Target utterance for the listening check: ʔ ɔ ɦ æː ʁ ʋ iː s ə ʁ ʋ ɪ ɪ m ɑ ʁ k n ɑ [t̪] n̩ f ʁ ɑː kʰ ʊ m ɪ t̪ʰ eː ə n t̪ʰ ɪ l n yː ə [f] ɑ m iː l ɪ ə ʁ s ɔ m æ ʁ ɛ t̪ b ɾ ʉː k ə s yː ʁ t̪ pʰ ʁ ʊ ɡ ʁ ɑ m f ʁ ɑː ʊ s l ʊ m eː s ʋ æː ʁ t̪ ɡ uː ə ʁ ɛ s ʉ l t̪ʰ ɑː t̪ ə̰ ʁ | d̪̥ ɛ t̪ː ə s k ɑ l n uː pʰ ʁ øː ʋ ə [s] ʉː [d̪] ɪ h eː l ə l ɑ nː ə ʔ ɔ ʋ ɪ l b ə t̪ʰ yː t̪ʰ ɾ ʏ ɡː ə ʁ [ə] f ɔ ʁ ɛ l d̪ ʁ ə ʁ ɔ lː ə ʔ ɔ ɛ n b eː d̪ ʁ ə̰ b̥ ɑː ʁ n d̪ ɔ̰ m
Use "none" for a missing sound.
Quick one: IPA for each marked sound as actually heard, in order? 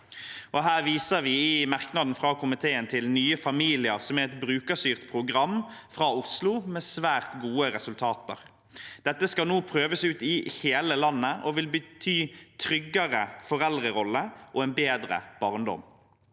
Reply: d̪, f, s, t̪, ə

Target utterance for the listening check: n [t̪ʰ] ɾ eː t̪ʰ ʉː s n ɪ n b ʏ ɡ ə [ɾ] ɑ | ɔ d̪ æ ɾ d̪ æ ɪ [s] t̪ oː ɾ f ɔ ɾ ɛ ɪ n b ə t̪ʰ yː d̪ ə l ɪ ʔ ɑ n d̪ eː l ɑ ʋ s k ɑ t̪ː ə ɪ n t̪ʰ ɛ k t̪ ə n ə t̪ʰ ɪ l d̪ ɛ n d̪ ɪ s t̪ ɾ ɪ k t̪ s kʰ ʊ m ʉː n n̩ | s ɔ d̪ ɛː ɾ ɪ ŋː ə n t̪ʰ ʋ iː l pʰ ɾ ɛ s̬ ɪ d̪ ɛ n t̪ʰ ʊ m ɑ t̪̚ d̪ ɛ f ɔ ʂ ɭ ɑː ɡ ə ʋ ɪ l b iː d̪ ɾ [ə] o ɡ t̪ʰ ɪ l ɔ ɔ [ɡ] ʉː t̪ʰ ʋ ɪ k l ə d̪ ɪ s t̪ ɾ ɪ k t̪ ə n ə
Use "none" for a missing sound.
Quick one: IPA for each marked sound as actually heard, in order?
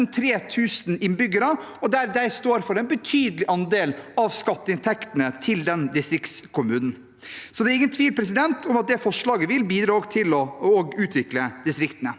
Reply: t̪ʰ, ɾ, s, ɑ, ɡ

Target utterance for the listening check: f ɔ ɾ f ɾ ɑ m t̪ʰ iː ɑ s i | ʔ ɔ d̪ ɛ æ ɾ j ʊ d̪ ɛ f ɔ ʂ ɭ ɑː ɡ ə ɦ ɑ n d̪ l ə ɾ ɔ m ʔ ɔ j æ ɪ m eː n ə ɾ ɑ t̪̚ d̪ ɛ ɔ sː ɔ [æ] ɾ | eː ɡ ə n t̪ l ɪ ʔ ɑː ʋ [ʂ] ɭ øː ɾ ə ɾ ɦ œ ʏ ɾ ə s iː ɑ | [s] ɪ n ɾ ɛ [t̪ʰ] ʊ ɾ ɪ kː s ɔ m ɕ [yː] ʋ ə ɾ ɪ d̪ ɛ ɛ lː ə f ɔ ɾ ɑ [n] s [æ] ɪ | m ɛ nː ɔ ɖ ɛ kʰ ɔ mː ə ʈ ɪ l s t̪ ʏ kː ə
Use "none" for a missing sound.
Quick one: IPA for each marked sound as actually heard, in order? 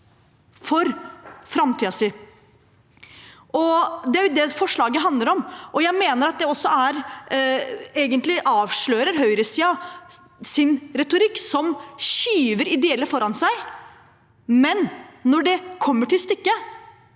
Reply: æ, ʂ, s, t̪, yː, n, æ

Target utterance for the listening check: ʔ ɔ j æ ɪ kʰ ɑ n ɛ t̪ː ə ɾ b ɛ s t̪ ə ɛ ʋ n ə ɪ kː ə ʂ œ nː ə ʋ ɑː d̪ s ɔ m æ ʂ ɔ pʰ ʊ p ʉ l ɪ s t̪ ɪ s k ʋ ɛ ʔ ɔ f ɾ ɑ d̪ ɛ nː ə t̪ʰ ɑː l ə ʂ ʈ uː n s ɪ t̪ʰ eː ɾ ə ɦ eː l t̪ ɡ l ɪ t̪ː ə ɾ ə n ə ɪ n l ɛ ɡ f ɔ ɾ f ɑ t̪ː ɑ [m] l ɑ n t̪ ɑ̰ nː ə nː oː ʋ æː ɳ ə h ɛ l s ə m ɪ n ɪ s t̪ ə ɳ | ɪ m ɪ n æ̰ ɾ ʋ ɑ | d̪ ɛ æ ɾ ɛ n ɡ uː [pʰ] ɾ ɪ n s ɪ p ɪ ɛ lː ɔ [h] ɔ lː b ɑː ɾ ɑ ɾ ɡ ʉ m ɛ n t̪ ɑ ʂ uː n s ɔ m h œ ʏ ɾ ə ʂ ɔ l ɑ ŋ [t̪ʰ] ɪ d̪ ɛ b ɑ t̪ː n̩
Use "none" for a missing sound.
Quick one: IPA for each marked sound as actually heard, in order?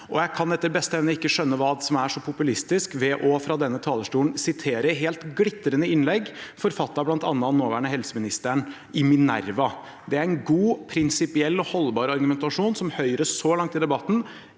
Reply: b, pʰ, h, t̪

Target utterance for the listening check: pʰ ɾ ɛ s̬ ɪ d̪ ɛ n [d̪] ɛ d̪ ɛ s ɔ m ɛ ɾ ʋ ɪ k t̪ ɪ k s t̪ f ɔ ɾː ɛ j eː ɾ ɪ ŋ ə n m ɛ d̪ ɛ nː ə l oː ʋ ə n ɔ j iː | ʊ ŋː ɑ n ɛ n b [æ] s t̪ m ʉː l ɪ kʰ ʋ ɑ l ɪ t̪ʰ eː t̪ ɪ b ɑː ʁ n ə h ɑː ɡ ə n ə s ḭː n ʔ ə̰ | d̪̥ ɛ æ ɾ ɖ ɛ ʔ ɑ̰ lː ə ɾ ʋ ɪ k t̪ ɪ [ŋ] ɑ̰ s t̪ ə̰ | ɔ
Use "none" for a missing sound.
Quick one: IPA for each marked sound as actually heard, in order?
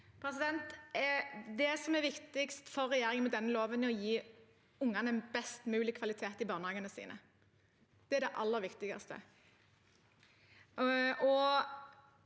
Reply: t̪, ɛ, ɡ

